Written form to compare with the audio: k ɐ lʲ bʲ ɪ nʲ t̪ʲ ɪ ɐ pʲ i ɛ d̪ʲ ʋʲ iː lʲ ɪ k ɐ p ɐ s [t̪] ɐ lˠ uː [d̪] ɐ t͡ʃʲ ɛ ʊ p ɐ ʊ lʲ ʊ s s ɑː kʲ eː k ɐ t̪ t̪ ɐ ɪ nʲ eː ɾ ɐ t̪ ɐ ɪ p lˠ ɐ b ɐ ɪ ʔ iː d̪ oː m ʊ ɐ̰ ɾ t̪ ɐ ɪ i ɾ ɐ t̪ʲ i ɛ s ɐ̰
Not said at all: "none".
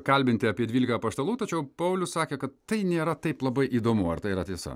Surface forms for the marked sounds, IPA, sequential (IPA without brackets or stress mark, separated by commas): t̪, t̪